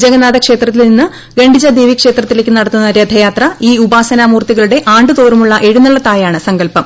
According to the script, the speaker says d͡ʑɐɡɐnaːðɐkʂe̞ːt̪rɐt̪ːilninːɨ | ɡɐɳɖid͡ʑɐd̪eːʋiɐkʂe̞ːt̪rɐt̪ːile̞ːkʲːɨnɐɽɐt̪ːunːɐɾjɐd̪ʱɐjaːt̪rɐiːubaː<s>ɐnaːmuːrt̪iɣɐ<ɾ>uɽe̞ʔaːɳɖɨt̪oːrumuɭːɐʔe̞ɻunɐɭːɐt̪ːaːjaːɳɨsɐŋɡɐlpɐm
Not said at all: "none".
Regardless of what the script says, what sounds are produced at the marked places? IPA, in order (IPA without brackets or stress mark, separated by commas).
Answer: s, ɭ